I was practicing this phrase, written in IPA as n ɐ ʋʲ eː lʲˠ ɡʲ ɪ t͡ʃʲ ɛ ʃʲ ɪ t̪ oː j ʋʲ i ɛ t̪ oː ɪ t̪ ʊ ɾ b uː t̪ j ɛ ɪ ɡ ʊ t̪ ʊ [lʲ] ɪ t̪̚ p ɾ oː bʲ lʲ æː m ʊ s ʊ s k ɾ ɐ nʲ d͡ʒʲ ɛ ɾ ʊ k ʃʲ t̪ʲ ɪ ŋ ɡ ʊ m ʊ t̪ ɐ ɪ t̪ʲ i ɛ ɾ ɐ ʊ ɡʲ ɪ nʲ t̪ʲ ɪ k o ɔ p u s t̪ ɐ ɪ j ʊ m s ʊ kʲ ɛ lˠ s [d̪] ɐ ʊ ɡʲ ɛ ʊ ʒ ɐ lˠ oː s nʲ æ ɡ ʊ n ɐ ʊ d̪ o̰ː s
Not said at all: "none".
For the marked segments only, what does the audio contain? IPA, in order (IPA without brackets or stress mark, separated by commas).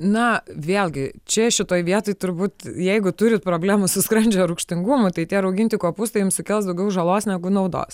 ɾʲ, d̪